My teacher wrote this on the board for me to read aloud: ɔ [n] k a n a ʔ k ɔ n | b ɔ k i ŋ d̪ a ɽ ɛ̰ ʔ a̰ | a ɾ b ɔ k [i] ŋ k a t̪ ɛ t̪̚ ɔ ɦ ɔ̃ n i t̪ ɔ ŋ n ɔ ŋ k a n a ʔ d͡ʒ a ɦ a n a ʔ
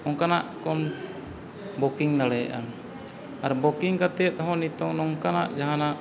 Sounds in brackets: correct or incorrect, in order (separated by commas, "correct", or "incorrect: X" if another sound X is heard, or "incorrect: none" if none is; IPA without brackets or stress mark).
incorrect: ŋ, correct